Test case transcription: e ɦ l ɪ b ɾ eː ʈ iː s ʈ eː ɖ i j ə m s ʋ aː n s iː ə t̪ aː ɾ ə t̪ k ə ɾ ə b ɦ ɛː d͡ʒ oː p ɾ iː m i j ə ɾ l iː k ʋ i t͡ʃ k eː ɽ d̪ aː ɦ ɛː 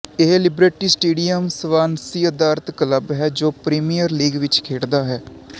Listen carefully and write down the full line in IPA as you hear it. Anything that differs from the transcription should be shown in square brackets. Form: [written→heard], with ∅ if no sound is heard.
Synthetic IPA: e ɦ l ɪ b ɾ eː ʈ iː s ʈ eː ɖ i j ə m s ʋ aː n s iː ə [t̪→d̪] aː ɾ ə t̪ k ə [ɾ→l] ə b ɦ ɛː d͡ʒ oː p ɾ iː m i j ə ɾ l iː [k→ɡ] ʋ [i→ɪ] t͡ʃ [k→kʰ] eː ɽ d̪ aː ɦ ɛː